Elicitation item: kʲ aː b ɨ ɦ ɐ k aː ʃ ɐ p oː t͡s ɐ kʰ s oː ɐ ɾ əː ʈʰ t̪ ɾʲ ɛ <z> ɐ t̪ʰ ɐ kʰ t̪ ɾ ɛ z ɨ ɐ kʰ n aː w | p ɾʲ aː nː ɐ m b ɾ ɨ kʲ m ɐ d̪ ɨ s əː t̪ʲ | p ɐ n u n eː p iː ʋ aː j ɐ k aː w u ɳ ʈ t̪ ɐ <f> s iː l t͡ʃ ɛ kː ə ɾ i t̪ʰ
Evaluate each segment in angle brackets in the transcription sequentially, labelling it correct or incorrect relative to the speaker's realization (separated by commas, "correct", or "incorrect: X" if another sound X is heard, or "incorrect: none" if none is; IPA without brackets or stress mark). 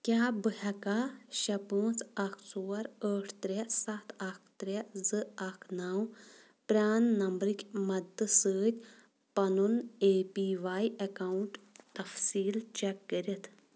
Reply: incorrect: s, correct